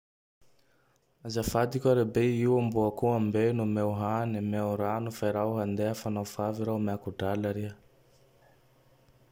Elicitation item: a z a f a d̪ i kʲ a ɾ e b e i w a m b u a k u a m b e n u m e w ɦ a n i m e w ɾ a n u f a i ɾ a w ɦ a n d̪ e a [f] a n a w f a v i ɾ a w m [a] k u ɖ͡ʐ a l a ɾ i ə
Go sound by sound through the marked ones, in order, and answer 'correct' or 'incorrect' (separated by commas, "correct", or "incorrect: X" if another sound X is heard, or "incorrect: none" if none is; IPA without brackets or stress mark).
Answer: correct, correct